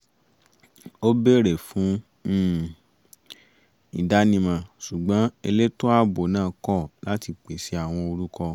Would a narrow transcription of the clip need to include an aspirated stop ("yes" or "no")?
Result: no